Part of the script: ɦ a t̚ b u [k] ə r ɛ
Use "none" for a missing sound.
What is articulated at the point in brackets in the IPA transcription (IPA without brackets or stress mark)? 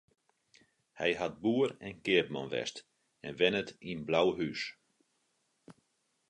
none